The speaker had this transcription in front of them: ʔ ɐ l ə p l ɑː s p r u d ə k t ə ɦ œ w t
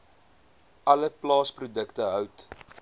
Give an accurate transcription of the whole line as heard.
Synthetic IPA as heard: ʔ ɐ l ə p l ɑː s p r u d ə k t ə ɦ œ w t